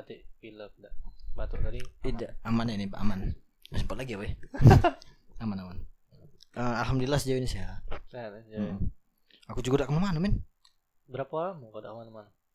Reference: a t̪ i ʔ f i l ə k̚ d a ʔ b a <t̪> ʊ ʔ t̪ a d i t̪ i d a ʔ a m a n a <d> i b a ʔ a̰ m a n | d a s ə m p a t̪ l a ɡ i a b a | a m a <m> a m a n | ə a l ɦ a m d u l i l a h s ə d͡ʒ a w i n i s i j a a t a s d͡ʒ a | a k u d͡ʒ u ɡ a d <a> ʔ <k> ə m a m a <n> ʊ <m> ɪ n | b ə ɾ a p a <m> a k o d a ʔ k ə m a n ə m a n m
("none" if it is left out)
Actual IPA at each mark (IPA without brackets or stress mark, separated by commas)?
t̪, n, n, a, k, n, m, m